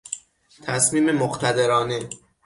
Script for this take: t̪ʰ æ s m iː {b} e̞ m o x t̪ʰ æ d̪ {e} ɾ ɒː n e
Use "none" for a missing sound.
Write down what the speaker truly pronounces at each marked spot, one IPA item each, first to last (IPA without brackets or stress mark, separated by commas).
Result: m, e